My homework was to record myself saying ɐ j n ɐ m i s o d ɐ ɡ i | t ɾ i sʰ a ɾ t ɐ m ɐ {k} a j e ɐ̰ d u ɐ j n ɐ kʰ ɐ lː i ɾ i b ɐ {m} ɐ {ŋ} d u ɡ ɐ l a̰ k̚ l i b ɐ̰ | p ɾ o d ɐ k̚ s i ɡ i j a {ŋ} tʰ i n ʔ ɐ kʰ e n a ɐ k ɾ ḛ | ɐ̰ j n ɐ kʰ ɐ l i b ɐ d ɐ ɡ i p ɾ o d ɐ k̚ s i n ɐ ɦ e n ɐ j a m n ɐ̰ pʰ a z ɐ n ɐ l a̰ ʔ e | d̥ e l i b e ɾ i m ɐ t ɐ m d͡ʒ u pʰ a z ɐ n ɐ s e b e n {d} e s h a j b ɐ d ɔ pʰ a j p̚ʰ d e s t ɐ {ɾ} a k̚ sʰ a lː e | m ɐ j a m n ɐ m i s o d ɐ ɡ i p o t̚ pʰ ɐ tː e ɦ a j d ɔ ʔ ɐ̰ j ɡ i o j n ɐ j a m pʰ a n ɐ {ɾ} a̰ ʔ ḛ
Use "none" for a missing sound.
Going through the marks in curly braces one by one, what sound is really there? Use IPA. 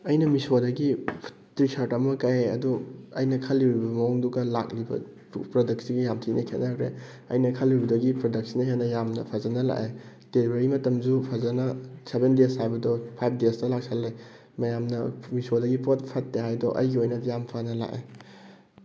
k, m, ŋ, m, d, l, l

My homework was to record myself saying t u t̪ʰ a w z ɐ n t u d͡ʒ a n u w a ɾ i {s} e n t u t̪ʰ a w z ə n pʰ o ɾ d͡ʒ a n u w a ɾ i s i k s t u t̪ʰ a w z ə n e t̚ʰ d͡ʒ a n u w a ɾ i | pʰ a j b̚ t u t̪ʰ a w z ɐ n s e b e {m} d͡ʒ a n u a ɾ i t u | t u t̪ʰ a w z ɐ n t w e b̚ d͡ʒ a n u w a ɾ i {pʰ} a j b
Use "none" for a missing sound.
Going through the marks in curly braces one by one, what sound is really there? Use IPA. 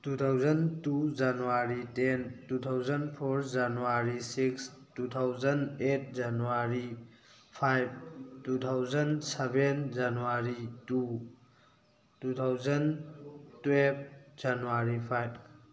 t, n, pʰ

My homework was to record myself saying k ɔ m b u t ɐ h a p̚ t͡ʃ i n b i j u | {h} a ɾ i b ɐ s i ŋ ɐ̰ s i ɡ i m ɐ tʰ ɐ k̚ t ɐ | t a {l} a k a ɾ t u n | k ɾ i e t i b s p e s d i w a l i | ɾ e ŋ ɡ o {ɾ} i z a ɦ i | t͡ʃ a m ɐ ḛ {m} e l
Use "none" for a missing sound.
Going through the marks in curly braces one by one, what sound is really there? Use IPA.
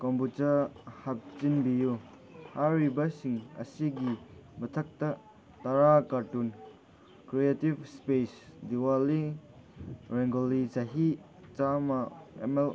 h, ɾ, l, m

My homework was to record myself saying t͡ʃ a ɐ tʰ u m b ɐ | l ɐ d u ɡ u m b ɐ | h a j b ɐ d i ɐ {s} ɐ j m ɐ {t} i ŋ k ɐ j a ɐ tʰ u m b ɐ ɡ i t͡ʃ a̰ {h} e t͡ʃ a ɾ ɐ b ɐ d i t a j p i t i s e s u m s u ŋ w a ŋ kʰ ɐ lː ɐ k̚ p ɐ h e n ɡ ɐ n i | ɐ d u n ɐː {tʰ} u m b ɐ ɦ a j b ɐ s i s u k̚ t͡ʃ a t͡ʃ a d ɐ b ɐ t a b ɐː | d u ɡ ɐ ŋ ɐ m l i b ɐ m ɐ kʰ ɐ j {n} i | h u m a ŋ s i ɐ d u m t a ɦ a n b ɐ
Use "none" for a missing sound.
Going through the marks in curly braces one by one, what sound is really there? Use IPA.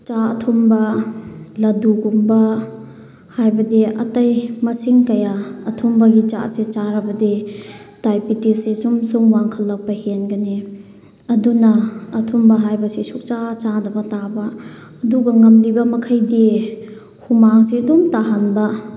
t, s, s, tʰ, d

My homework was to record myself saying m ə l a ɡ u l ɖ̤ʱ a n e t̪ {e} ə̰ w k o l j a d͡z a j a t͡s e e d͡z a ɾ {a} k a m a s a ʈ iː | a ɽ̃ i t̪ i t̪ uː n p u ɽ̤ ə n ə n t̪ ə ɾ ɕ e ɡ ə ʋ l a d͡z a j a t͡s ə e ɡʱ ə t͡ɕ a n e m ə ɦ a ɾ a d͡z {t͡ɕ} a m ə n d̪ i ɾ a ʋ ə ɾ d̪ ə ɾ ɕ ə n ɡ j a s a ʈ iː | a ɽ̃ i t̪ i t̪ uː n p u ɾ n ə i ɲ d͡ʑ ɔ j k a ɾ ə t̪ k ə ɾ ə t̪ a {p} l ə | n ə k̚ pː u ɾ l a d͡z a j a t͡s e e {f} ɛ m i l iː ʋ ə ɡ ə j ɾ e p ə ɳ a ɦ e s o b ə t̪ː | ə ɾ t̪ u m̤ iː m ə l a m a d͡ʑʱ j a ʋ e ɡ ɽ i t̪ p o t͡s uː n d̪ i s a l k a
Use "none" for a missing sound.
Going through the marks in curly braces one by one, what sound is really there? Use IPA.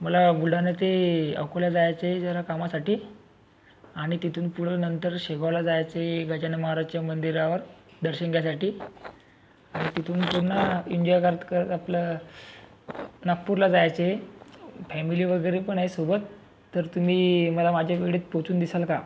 e, a, t͡ɕ, p, f

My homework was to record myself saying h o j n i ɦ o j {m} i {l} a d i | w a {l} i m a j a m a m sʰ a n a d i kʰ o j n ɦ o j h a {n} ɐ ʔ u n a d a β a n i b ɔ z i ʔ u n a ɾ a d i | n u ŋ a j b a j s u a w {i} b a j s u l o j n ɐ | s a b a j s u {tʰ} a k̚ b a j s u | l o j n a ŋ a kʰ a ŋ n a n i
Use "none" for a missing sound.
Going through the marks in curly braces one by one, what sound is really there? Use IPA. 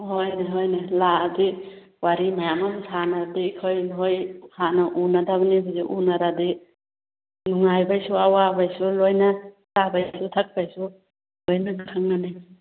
n, l, ɾ, n, a, tʰ

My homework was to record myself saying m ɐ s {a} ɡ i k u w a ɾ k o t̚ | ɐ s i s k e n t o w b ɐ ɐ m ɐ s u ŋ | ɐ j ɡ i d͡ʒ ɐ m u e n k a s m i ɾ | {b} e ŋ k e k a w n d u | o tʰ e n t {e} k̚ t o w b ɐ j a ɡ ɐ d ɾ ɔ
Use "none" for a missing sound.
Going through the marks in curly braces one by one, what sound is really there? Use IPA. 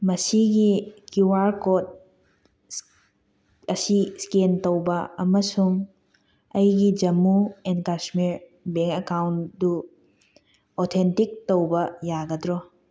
i, b, i

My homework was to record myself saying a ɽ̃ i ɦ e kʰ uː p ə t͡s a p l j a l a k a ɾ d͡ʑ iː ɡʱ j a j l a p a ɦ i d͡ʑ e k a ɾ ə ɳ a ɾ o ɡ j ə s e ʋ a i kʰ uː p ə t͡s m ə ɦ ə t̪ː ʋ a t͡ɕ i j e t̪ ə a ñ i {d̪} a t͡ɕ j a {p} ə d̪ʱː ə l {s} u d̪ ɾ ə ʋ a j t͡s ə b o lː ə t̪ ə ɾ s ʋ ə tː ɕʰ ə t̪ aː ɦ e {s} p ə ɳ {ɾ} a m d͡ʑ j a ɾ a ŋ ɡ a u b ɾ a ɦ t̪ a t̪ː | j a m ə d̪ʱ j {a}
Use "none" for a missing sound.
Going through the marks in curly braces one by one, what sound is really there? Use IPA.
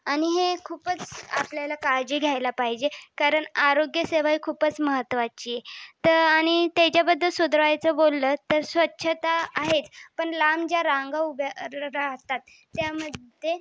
t̪, b, s, t͡s, l, e

